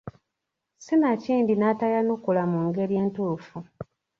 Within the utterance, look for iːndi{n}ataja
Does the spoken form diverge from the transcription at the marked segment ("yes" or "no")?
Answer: no